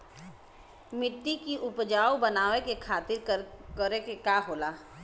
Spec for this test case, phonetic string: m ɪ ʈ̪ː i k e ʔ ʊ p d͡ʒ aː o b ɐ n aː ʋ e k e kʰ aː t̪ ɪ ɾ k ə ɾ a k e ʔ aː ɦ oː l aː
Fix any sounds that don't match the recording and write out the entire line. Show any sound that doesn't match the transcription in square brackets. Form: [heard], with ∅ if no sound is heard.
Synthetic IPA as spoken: m ɪ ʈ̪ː i k [i] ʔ ʊ p d͡ʒ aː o b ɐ n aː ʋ e k e kʰ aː t̪ ɪ ɾ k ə ɾ [e] k e [k] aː ɦ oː l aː

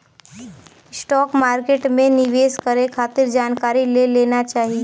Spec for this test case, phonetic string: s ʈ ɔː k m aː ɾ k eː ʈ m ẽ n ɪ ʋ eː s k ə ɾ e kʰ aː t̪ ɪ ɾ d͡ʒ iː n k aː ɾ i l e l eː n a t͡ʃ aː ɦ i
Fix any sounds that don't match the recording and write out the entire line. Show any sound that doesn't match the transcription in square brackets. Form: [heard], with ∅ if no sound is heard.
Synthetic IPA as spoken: s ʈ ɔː k m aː ɾ k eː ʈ m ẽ n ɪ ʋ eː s k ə ɾ e kʰ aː t̪ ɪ ɾ d͡ʒ [aː] n k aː ɾ i l e l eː n a t͡ʃ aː ɦ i

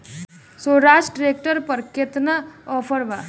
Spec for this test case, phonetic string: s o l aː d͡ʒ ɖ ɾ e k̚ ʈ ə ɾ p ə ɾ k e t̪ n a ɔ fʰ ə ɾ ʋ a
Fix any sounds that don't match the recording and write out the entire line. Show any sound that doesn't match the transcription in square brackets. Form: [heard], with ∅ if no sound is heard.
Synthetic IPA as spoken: s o [ɾ] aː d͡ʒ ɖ ɾ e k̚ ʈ ə ɾ p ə ɾ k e t̪ n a ɔ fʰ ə ɾ ʋ a

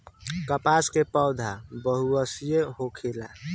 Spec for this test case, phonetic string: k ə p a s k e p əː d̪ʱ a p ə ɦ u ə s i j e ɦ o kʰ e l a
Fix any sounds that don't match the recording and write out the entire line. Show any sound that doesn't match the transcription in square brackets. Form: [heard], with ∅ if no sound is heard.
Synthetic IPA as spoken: k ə p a s k e p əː d̪ʱ a [b] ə ɦ u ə s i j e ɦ o kʰ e l a

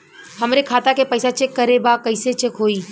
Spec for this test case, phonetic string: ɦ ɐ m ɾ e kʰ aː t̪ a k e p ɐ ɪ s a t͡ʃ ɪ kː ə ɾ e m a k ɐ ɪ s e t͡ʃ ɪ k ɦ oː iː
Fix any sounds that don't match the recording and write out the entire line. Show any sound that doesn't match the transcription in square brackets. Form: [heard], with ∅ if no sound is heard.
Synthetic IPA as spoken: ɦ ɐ m ɾ e kʰ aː t̪ a k e p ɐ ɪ s a t͡ʃ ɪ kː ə ɾ e [b] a k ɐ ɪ s e t͡ʃ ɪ k ɦ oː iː

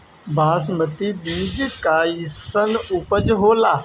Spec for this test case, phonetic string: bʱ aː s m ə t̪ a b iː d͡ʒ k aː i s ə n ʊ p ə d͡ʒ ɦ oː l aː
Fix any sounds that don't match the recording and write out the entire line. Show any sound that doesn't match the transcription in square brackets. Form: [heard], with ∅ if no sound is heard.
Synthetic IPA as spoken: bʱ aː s m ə t̪ [i] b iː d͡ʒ k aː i s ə n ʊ p ə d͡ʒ ɦ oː l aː

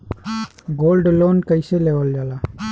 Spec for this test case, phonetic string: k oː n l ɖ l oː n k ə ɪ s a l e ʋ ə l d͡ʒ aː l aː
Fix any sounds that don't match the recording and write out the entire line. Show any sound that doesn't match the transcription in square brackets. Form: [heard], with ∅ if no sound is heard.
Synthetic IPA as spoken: [ɡ] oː [∅] l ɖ l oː n k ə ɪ s [e] l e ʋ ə l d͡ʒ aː l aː

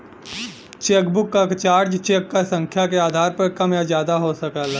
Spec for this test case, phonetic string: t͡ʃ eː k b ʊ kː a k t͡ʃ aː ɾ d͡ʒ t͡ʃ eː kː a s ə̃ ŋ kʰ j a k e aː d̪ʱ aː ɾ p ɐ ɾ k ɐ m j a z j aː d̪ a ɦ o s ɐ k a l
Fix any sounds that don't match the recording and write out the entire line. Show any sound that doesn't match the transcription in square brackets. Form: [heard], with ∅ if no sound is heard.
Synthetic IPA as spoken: t͡ʃ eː k b ʊ kː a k t͡ʃ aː ɾ d͡ʒ t͡ʃ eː kː a s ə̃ ŋ kʰ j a k e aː d̪ʱ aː ɾ p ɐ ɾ k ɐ m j a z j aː d̪ a ɦ o s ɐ k a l

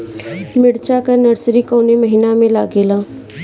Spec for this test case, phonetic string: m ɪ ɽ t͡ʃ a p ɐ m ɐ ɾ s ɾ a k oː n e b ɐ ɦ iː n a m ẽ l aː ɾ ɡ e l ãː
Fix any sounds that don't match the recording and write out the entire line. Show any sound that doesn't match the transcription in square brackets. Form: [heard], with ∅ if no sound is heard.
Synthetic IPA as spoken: m ɪ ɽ t͡ʃ a [k] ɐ [n] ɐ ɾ s ɾ [i] k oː n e [m] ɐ ɦ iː n a m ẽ l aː [∅] ɡ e l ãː

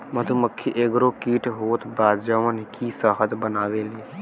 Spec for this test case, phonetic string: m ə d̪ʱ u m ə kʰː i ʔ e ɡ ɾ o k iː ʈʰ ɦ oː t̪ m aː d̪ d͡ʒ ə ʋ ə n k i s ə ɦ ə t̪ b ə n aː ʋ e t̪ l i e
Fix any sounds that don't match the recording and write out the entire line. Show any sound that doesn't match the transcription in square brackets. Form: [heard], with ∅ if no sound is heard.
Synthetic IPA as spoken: m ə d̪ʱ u m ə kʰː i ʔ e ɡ ɾ o k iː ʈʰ ɦ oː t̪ [b] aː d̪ d͡ʒ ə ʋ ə n k i s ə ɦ ə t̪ b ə n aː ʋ e [∅] l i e

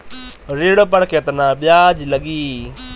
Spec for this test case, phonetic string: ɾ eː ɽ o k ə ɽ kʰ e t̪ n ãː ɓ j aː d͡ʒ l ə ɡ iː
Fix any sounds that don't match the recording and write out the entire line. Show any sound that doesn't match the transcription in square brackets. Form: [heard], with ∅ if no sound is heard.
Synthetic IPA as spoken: ɾ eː ɽ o [p] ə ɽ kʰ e t̪ n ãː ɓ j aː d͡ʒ l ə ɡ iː

